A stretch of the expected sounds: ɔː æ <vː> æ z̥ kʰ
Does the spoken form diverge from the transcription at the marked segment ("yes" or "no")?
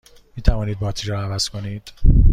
yes